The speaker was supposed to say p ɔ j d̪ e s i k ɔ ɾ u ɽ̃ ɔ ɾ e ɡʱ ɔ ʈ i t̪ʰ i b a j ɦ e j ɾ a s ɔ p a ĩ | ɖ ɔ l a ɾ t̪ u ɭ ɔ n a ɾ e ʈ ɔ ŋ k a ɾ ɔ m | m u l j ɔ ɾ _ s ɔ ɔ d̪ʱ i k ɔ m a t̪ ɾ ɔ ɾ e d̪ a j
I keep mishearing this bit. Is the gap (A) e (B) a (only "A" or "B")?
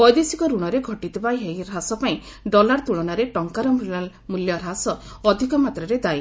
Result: B